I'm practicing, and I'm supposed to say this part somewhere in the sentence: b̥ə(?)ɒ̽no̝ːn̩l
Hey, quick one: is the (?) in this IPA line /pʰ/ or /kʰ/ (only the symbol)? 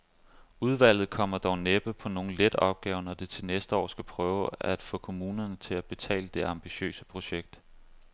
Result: pʰ